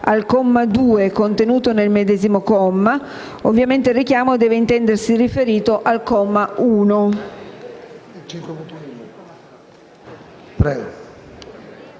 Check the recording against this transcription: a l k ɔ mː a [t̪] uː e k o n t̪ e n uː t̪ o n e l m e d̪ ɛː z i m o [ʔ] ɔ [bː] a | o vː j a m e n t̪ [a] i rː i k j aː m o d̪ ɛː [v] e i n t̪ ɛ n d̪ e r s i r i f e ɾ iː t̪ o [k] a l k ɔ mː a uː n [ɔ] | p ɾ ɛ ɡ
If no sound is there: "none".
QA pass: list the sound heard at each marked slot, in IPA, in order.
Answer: d̪, k, mː, e, v, ʔ, o

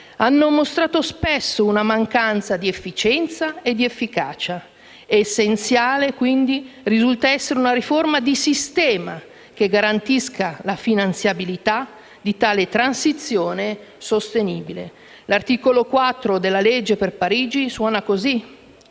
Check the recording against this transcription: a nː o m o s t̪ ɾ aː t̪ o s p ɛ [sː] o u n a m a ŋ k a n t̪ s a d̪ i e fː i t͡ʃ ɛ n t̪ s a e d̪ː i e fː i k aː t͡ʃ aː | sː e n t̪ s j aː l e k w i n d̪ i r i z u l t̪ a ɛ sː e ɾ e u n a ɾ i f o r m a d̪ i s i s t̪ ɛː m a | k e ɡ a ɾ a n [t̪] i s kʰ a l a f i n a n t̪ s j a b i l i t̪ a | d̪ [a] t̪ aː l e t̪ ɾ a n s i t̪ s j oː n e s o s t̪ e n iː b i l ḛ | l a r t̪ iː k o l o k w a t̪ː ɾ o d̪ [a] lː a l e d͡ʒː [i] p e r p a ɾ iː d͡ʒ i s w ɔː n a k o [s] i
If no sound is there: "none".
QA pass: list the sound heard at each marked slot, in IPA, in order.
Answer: sː, t̪, i, e, e, z

